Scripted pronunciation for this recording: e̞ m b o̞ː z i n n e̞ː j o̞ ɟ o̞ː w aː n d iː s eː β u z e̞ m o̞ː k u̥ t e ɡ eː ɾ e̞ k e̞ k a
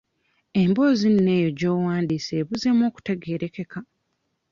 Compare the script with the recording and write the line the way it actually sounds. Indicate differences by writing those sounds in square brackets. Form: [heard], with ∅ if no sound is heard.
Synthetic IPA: e̞ m b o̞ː z i n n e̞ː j o̞ ɟ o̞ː w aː n d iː s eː β u z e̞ m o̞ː k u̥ t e ɡ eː ɾ e̞ k e̞ k a